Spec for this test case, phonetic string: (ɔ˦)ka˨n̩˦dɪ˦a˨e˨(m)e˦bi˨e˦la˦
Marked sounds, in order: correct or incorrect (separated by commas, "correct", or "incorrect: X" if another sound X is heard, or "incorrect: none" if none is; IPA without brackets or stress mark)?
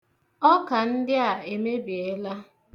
correct, correct